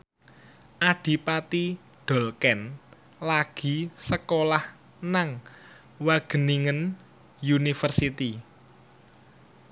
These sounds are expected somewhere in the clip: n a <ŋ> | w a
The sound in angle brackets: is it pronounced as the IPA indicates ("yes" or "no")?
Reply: yes